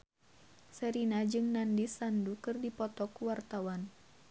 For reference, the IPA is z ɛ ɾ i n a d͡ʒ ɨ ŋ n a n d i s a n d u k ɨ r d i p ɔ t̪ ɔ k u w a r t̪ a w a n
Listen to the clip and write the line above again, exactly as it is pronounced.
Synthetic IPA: s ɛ ɾ i n a d͡ʒ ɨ ŋ n a n d i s a n d u k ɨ r d i p ɔ t̪ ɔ k u w a r t̪ a w a n